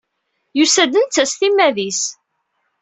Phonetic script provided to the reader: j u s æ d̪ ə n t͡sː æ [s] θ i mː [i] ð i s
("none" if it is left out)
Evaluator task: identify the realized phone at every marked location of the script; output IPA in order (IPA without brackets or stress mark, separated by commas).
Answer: s, æ